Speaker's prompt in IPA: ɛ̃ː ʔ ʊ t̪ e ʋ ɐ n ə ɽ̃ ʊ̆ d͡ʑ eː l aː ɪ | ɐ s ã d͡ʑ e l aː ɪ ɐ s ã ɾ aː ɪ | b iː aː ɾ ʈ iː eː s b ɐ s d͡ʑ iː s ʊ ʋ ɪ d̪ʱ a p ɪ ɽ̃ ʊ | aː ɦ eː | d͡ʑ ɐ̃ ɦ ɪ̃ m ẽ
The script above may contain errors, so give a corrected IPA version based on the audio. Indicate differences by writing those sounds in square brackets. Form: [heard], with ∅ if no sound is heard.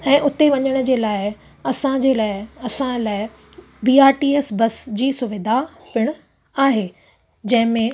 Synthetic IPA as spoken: ɛ̃ː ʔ ʊ t̪ e ʋ ɐ [ɲ] ə ɽ̃ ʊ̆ d͡ʑ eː l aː ɪ | ɐ s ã d͡ʑ e l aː ɪ ɐ s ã [l] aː ɪ | b iː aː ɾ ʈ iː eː s b ɐ s d͡ʑ iː s ʊ ʋ ɪ d̪ʱ a p ɪ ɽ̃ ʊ | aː ɦ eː | d͡ʑ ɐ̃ ɦ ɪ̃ m ẽ